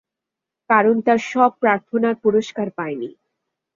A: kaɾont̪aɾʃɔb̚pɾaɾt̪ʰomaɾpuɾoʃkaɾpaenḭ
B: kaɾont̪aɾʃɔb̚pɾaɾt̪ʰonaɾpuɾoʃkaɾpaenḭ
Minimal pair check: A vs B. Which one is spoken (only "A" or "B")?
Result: B